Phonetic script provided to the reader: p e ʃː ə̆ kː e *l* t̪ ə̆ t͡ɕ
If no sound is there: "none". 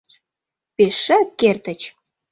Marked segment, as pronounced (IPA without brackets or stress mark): r